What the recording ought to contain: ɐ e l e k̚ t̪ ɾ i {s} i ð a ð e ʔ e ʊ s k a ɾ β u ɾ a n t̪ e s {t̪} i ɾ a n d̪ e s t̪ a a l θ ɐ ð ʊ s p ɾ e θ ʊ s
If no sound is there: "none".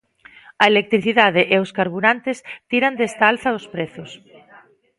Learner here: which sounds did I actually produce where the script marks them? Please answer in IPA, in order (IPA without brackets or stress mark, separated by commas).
θ, t̪